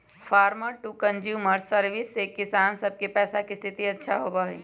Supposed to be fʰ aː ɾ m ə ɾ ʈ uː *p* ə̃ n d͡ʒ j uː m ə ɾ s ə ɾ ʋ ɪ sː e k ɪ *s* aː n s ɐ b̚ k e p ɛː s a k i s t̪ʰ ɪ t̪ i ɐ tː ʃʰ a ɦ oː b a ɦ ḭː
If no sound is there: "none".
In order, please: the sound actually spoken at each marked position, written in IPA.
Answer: k, s

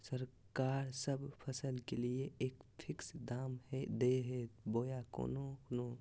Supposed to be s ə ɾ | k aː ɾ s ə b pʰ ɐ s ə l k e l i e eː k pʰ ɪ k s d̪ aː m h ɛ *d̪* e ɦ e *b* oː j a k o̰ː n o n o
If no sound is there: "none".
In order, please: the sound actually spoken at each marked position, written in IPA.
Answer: d̪, b

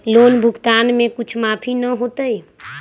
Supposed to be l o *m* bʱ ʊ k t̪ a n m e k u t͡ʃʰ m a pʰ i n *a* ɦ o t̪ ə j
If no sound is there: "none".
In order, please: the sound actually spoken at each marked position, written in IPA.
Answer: n, ə

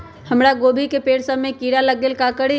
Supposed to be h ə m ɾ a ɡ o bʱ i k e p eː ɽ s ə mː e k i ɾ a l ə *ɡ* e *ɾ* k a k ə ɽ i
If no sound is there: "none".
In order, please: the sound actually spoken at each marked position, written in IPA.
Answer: ɡ, l

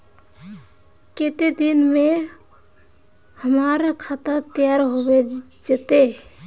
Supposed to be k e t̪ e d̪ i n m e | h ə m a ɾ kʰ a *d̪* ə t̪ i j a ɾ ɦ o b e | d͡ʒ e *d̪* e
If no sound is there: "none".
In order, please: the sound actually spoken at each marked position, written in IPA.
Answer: t̪, t̪

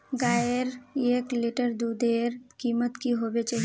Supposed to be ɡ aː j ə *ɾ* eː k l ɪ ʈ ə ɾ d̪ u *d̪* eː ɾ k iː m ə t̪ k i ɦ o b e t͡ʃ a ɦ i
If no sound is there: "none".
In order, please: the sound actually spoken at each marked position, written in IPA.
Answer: ɾ, d̪

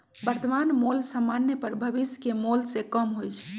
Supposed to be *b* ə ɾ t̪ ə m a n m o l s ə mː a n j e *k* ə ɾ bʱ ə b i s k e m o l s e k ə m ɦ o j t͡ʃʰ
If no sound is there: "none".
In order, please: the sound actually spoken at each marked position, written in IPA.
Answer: b, p

